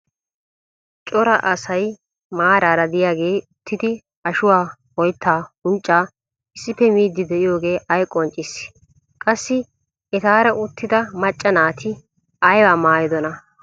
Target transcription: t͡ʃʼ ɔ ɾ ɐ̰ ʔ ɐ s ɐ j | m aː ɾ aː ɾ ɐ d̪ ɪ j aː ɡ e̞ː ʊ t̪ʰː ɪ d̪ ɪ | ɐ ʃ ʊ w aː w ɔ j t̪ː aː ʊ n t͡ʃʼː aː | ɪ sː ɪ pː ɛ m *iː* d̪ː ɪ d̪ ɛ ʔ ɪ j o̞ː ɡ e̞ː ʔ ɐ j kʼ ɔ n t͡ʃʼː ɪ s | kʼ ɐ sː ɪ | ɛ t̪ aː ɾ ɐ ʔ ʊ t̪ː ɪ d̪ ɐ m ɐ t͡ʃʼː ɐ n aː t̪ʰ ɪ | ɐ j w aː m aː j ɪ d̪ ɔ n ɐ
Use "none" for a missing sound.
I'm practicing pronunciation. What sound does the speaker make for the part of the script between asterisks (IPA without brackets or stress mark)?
iː